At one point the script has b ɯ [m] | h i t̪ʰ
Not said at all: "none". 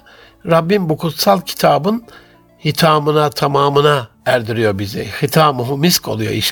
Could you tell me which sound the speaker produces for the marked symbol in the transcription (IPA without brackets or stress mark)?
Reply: n